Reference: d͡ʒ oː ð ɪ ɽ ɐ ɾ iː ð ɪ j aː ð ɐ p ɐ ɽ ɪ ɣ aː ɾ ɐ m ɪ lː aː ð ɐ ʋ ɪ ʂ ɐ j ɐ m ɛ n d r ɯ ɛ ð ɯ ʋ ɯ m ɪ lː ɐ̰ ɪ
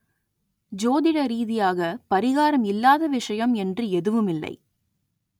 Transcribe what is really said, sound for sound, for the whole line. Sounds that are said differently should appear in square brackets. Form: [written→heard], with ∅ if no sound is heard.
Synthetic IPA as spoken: d͡ʒ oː ð ɪ ɽ ɐ ɾ iː ð ɪ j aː [ð→ɣ] ɐ p ɐ [ɽ→ɾ] ɪ ɣ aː ɾ ɐ m ɪ lː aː ð ɐ ʋ ɪ ʂ ɐ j ɐ m ɛ n d r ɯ ɛ ð ɯ ʋ ɯ m ɪ lː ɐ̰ ɪ